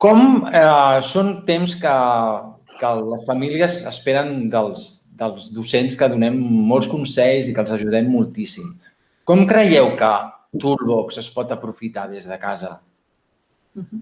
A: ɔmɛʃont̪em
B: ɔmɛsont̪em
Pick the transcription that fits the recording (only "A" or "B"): B